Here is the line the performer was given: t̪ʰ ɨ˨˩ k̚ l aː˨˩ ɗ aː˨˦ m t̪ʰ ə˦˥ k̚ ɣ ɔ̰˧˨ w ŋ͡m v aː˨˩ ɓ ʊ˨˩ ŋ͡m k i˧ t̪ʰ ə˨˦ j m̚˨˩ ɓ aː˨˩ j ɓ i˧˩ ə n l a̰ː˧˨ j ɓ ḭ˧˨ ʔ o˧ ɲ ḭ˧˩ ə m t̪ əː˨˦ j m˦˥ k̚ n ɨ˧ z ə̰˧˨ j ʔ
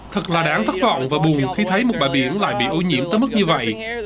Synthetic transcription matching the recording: t̪ʰ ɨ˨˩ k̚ l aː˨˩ ɗ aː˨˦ ŋ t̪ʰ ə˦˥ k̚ v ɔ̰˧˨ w ŋ͡m v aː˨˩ ɓ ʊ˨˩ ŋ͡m x i˧ t̪ʰ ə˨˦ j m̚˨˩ ɓ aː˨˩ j ɓ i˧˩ ə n l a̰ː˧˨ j ɓ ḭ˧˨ ʔ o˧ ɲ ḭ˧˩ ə m t̪ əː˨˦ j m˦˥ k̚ ɲ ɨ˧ v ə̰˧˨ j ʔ